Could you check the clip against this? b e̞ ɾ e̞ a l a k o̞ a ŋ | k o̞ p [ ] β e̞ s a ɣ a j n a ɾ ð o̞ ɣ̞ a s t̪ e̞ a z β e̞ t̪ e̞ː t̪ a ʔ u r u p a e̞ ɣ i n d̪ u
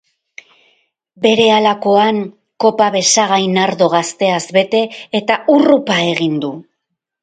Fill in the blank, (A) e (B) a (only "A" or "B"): B